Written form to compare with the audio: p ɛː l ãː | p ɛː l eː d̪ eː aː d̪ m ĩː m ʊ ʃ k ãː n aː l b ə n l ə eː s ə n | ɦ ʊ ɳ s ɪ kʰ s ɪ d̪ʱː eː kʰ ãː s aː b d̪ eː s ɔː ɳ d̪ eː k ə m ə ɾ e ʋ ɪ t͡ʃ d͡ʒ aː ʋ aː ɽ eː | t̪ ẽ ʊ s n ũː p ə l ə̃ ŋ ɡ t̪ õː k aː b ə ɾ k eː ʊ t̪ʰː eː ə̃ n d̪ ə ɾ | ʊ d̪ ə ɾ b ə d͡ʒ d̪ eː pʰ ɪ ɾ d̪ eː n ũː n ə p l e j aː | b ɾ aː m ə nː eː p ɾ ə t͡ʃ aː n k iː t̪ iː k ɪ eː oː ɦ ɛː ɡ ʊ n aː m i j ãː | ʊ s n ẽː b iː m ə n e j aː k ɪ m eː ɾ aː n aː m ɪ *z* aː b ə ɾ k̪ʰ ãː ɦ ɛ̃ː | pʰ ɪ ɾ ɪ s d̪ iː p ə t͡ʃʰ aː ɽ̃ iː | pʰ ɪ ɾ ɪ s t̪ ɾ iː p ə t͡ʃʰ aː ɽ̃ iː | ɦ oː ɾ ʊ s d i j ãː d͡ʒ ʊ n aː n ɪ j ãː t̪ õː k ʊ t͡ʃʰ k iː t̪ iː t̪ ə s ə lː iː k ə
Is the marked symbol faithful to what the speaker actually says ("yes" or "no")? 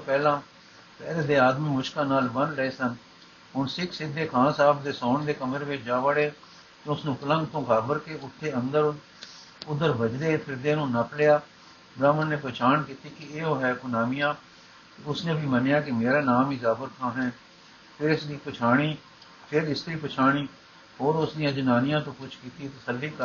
yes